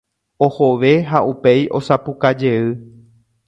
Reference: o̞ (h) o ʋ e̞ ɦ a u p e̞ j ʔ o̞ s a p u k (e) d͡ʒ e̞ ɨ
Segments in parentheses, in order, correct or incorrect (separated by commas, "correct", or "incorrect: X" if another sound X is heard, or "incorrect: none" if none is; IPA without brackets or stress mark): correct, incorrect: a